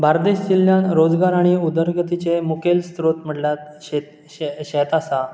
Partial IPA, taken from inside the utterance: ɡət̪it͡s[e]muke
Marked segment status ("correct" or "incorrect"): correct